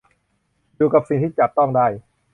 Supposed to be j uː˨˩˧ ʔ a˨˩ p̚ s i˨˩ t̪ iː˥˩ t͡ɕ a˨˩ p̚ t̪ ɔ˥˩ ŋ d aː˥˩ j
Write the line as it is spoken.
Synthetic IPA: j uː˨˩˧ k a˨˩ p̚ s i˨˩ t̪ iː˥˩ t͡ɕ a˨˩ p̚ t̪ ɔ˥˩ ŋ d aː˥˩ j